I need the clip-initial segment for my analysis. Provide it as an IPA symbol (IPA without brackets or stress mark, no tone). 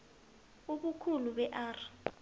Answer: u